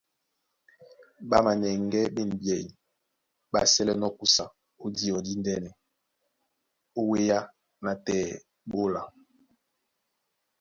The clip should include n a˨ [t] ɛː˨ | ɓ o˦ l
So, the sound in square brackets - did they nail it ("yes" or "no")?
yes